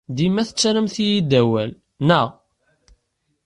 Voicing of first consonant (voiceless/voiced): voiced